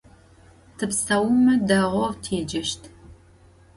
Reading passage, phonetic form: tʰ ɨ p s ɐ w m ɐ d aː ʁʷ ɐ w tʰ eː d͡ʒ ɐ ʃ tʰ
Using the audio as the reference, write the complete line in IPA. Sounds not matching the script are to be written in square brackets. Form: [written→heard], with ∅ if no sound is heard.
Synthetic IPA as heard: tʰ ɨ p s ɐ w m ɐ d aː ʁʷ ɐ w tʰ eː d͡ʒ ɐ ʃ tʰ